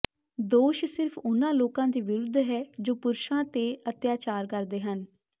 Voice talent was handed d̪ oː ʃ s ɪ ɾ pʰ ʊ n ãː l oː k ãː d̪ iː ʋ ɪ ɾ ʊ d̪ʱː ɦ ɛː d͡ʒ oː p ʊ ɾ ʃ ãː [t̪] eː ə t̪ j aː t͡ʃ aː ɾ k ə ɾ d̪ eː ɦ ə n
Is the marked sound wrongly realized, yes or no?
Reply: no